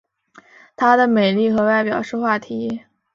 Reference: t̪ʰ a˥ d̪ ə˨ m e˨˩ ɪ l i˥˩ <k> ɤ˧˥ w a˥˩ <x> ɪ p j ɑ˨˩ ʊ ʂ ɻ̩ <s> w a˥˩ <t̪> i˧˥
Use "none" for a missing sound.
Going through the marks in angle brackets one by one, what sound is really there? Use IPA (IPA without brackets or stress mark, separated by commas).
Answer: x, none, x, t̪ʰ